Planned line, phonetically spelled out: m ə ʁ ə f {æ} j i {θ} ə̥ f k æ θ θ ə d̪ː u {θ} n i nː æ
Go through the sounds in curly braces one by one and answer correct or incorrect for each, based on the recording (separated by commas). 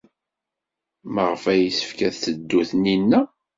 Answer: correct, incorrect, correct